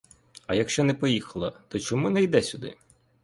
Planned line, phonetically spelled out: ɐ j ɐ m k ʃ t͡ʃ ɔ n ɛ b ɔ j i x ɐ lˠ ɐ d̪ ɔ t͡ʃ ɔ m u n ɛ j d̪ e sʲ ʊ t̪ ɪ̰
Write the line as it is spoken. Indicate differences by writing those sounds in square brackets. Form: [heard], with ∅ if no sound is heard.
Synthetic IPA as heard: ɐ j ɐ [∅] k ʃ t͡ʃ ɔ n ɛ [p] ɔ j i x ɐ lˠ ɐ [t̪] ɔ t͡ʃ ɔ m u n ɛ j d̪ [ɛ] sʲ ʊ [d̪] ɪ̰